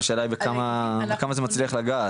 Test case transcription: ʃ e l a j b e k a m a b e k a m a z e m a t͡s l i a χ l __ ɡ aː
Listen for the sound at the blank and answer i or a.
a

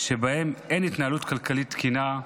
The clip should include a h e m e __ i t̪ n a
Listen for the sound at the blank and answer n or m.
n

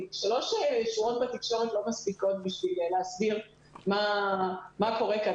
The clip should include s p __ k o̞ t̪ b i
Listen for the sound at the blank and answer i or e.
i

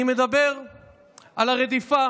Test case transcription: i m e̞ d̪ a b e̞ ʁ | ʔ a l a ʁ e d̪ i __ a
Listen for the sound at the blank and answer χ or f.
f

